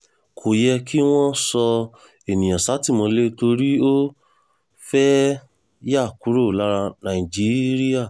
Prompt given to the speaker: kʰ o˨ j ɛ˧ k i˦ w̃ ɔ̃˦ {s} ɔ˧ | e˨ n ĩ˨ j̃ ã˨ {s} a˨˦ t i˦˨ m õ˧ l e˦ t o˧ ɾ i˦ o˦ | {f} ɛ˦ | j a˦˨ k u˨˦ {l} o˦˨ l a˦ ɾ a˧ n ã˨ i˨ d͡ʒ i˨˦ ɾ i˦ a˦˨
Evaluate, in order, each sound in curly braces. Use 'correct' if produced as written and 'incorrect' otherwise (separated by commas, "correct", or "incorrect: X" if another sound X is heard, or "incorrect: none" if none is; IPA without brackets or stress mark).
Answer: correct, correct, correct, incorrect: ɾ